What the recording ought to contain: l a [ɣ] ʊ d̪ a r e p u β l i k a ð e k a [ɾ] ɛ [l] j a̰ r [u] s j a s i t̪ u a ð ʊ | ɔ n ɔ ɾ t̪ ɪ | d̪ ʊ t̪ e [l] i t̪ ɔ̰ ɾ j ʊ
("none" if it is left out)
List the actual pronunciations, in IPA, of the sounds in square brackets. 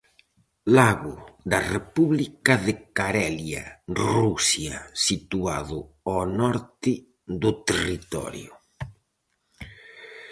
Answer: ɣ, ɾ, l, u, r

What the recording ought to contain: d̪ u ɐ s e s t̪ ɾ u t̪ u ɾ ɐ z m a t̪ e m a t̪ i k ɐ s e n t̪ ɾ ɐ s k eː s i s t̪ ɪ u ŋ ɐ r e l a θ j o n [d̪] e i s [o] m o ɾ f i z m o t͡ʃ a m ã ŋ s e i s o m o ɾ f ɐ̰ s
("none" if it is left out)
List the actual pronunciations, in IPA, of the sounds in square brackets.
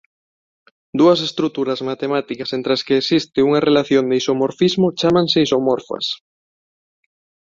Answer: d̪, o

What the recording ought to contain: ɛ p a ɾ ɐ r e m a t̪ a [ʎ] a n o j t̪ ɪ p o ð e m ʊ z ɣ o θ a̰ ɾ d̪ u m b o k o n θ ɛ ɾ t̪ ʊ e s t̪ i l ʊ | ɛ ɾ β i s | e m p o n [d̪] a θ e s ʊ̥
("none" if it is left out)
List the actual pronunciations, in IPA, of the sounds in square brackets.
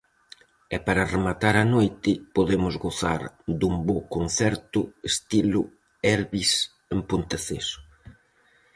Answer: ɾ, t̪

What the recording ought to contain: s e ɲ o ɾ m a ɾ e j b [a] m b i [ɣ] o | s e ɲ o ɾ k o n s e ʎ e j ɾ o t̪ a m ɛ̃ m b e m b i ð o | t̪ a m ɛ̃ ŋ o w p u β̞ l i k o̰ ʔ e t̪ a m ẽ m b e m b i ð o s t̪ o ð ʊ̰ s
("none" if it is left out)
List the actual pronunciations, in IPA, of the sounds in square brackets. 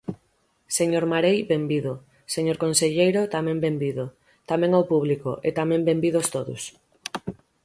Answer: e, ð

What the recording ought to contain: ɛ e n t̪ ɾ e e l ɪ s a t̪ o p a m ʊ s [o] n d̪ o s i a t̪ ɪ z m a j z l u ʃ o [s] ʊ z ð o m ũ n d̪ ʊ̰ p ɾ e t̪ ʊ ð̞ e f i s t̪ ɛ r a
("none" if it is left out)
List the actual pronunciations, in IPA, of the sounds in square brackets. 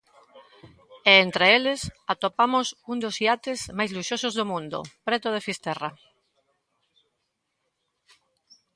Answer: u, s

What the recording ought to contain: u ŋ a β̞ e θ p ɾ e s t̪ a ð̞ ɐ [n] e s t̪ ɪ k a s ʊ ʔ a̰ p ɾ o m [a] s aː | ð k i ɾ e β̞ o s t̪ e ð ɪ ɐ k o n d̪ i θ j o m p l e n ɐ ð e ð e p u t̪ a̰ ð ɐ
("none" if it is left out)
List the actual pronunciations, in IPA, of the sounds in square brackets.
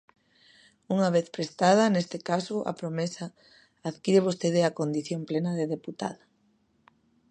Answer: n, e

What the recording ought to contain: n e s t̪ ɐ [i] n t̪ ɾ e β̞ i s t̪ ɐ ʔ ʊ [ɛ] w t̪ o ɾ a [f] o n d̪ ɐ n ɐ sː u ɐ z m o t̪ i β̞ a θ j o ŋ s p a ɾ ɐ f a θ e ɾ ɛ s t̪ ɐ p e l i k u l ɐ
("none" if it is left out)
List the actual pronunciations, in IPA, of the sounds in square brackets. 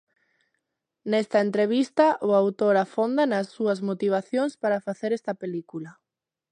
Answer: e, a, f

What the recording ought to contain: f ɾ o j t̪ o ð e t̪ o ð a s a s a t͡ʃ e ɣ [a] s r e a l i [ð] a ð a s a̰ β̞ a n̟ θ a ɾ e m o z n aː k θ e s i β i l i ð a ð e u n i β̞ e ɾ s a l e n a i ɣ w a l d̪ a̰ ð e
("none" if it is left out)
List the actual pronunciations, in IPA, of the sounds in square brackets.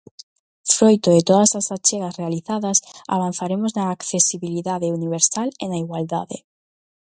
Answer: a, θ

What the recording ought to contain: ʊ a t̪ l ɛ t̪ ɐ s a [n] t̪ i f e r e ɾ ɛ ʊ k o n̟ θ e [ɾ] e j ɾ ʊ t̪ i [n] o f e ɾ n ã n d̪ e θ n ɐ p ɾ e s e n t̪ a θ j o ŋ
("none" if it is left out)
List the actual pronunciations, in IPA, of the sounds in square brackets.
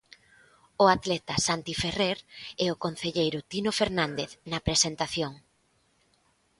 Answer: n, ʎ, n

